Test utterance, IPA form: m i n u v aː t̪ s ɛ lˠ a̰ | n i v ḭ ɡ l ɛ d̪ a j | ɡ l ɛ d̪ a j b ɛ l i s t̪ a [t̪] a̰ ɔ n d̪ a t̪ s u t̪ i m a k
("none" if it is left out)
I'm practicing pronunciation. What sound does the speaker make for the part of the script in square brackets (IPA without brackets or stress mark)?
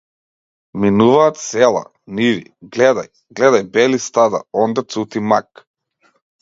d̪